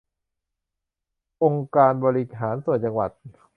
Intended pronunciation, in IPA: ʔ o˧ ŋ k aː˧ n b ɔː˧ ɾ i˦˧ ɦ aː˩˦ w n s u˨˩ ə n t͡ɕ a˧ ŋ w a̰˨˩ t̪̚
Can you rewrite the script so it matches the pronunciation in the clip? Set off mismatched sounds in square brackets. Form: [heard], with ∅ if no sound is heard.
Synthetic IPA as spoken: ʔ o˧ ŋ k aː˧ n b ɔː˧ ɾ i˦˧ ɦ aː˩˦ [∅] n s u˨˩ ə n t͡ɕ a˧ ŋ w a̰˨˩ t̪̚